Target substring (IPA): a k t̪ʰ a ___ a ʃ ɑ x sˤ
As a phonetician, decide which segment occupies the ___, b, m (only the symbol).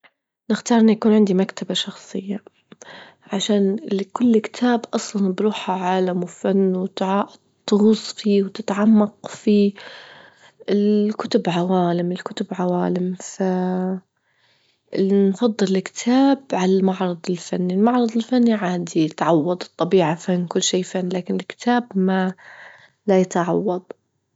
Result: b